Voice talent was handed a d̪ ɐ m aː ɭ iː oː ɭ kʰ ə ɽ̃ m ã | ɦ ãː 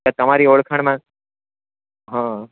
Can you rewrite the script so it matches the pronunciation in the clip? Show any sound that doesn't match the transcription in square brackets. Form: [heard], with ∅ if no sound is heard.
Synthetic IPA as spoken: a [t̪] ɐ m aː [ɾ] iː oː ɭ kʰ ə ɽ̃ m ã | ɦ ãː